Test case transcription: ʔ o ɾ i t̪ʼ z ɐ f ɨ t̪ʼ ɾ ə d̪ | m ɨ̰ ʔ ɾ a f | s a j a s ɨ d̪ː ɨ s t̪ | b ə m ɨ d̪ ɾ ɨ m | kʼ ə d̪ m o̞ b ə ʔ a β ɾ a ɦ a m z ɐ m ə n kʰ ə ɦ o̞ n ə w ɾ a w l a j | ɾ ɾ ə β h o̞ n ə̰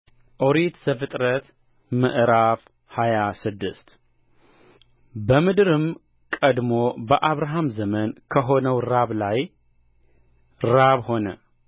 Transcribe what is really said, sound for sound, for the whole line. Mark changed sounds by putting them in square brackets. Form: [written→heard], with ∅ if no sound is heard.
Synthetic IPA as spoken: ʔ o ɾ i [t̪ʼ→t̪] z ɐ f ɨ t̪ʼ ɾ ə [d̪→t̪] | m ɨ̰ ʔ ɾ a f | [s→h] a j a s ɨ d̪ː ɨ s t̪ | b ə m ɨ d̪ ɾ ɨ m | kʼ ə d̪ m o̞ b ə ʔ a β ɾ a ɦ a m z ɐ m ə n kʰ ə ɦ o̞ n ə w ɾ a [w→β] l a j | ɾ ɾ [ə→a] β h o̞ n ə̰